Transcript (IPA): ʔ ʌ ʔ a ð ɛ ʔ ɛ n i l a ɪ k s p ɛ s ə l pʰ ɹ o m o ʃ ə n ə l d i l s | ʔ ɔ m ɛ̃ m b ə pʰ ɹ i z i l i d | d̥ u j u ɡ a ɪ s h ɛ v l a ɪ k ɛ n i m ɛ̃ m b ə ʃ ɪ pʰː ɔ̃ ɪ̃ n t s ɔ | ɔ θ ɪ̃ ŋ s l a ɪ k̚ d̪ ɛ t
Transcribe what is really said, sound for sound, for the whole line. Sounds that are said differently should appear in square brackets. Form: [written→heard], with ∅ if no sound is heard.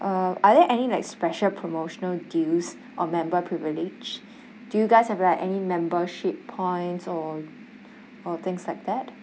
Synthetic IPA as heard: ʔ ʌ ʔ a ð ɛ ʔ ɛ n i l a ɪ k s p ɛ [s→ʃ] ə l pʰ ɹ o m o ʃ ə n ə l d i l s | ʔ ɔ m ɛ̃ m b ə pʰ ɹ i [z→v] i l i [d→d͡ʒ] | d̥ u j u ɡ a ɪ s h ɛ v l a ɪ k ɛ n i m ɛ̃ m b ə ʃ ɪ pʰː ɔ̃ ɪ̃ n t s ɔ | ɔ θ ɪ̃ ŋ s l a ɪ k̚ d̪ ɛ t